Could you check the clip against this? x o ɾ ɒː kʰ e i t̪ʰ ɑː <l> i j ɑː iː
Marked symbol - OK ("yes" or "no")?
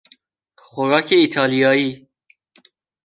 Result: yes